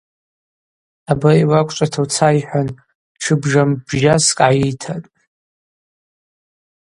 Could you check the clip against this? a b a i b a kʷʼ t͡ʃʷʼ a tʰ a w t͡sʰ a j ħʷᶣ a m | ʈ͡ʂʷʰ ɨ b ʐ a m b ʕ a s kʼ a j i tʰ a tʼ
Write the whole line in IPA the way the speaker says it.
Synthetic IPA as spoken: a b a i w a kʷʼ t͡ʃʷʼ a tʰ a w t͡sʰ a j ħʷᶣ a n | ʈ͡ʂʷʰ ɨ b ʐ a m b ʒ a s kʼ a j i tʰ a tʼ